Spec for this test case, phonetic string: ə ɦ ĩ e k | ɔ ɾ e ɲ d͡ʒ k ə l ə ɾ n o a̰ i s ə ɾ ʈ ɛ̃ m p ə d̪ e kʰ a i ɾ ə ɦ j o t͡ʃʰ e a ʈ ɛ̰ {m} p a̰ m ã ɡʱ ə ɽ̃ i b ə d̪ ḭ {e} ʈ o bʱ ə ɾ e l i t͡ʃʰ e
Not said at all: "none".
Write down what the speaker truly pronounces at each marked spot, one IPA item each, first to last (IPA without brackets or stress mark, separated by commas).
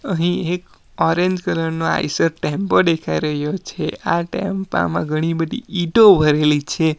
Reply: m, i